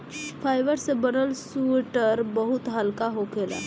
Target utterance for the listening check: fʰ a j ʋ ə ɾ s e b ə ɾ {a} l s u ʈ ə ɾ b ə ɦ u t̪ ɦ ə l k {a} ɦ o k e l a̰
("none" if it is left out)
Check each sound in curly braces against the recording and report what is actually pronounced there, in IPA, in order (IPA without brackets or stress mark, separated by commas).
ə, a